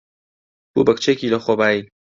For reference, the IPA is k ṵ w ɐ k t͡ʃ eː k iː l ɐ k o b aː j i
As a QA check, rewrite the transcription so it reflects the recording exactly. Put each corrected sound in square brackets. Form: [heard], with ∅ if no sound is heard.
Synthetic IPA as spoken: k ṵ [b] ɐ k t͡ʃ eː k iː l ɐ [x] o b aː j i